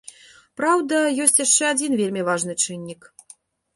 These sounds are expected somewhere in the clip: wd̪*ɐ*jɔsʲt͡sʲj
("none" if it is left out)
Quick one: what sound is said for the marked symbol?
ɐ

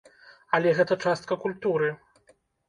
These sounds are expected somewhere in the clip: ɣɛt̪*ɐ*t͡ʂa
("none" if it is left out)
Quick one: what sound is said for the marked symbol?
ɐ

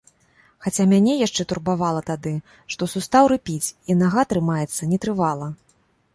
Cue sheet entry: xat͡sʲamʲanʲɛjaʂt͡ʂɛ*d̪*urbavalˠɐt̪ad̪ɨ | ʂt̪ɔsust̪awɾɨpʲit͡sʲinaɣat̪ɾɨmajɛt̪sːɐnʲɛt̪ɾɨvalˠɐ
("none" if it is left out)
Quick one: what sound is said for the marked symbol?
t̪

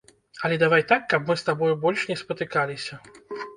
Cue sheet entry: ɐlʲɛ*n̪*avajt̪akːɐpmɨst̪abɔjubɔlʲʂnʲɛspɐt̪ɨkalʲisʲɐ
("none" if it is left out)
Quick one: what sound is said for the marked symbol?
d̪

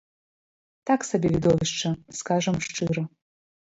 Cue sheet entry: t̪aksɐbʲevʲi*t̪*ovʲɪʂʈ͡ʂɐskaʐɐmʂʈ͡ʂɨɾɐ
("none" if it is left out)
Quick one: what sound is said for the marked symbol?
d̪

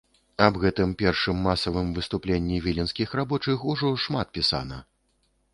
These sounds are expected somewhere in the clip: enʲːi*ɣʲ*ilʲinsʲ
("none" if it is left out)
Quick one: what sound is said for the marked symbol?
vʲ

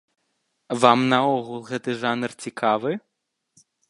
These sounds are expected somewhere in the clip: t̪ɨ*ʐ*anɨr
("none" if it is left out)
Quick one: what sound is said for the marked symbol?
ʐ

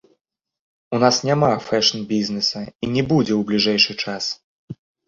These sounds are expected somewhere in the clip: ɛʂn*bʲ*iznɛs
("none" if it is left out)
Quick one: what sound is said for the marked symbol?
bʲ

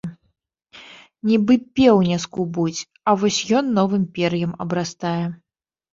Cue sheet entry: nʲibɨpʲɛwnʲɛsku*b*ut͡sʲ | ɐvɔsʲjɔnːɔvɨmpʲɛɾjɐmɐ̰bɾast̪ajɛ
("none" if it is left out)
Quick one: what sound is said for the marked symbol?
b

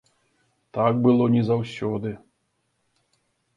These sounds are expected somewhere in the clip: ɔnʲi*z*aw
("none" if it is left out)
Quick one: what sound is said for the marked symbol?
z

